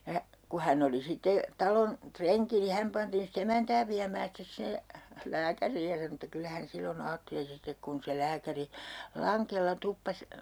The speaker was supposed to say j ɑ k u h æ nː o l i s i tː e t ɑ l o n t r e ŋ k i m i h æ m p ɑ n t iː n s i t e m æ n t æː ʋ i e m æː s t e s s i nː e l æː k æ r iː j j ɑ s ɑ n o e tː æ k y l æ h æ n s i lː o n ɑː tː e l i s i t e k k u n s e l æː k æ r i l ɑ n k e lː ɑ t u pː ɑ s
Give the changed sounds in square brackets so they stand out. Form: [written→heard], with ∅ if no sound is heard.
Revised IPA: j ɑ k u h æ nː o l i s i tː e t ɑ l o n t r e ŋ k i [m→n] i h æ m p ɑ n t iː n s i t e m æ n t æː ʋ i [e→æ] m æː s t e s s i nː e l æː k æ r iː j j ɑ s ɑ n o e tː æ k y [l→lː] æ h æ n s i lː o n ɑː tː e l i s i t e k k u n s e l æː k æ r i l ɑ [n→ŋ] k e lː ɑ t u pː ɑ s